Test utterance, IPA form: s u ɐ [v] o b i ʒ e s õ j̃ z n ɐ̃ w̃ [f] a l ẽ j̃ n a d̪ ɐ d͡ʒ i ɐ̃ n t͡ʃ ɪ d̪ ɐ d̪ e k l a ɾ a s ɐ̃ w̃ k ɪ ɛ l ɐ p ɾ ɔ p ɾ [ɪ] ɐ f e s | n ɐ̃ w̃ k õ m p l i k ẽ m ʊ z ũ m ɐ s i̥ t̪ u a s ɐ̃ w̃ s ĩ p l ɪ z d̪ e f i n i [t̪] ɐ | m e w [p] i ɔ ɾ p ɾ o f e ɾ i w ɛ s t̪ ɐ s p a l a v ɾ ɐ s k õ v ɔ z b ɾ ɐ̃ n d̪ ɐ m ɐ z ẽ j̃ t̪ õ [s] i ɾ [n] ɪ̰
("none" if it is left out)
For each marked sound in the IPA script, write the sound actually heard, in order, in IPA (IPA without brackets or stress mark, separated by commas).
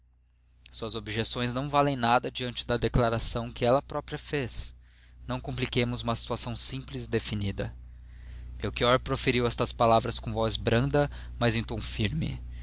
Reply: z, v, i, d̪, k, f, m